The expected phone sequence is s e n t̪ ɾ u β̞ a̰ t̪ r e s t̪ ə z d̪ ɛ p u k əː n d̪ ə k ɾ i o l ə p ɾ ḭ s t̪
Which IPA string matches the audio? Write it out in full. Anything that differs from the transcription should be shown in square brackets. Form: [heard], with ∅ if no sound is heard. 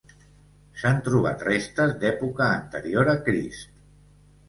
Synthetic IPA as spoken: s [a] n t̪ ɾ u β̞ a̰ t̪ r e s t̪ ə z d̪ ɛ p u k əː n [t̪] ə [∅] ɾ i o [ɾ] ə [k] ɾ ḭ s t̪